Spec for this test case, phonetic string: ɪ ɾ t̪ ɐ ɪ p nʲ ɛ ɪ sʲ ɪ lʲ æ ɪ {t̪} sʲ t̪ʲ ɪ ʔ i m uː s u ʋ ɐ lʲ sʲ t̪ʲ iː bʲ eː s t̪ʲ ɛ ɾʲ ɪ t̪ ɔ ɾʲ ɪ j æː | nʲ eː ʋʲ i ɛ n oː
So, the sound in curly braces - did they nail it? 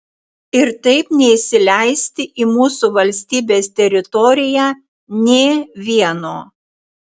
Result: no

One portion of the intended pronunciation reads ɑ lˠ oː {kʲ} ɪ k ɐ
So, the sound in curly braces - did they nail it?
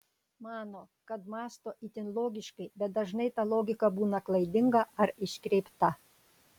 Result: no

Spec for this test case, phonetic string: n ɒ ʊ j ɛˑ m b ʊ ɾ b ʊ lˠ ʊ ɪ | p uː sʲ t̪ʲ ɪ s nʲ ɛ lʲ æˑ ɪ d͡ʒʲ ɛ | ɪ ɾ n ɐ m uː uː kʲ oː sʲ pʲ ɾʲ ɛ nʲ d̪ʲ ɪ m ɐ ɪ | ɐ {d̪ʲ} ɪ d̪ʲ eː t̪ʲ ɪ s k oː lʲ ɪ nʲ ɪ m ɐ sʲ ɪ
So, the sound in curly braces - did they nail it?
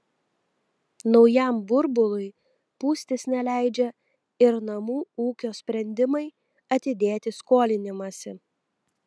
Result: no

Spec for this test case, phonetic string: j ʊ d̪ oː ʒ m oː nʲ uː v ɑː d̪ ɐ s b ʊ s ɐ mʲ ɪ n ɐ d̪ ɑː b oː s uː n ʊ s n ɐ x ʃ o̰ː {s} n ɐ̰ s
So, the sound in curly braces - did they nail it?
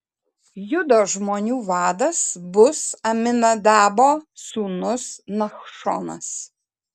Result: no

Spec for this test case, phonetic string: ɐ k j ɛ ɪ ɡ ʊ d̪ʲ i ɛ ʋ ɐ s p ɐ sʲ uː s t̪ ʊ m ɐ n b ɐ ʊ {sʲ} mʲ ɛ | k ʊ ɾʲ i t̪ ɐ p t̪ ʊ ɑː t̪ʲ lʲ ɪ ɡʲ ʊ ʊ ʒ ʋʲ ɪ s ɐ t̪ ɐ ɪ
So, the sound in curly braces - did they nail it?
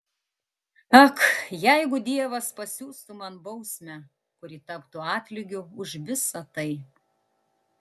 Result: yes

